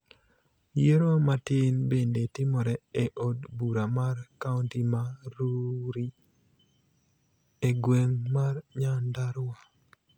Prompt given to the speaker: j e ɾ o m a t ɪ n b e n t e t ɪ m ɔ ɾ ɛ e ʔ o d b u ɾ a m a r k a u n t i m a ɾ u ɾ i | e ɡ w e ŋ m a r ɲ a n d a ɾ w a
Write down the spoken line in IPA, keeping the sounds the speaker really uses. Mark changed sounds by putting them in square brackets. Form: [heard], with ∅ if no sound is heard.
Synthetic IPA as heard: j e ɾ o m a t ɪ n b e n [d] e t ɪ m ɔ ɾ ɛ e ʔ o d b u ɾ a m a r k a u n t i m a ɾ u ɾ i | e ɡ w e ŋ m a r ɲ a n d a ɾ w a